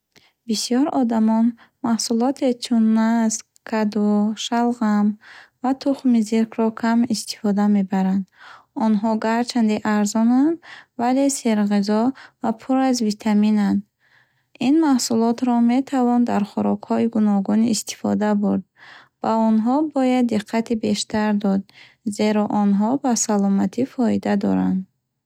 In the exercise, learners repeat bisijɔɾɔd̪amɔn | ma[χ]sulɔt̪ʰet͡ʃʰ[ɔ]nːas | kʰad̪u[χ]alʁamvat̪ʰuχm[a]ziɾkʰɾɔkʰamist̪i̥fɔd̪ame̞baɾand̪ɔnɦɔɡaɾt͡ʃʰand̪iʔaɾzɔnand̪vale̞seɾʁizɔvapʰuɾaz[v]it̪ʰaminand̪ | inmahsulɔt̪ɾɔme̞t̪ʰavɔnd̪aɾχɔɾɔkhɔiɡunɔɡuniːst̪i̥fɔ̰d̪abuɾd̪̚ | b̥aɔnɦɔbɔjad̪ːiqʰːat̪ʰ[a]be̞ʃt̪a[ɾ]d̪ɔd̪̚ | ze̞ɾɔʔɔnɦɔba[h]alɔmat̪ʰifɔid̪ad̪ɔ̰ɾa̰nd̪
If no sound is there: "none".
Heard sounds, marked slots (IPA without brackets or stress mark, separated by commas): h, u, ʃ, i, v, i, ɾ, s